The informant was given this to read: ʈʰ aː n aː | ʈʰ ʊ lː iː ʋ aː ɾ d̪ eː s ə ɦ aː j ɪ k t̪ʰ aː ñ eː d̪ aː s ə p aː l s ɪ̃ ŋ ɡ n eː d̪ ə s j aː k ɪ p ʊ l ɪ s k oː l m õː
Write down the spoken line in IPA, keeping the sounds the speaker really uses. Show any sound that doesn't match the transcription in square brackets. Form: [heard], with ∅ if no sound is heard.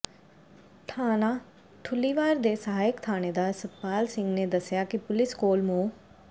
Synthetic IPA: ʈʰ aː n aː | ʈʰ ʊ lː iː ʋ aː ɾ d̪ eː s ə ɦ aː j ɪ k t̪ʰ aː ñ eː d̪ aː s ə p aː l s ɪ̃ ŋ ɡ n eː d̪ ə s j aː k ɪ p ʊ l ɪ s k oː l m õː